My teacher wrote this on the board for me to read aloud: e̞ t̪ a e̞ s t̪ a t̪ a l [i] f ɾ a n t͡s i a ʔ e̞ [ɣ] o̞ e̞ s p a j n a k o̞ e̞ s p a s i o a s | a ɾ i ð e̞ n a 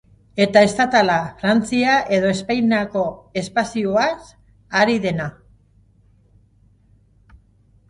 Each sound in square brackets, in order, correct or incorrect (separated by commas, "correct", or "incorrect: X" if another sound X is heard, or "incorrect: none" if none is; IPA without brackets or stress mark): incorrect: a, incorrect: ð